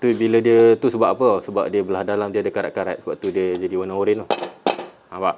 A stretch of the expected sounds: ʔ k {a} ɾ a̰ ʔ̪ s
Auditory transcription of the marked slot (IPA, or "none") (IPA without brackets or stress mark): a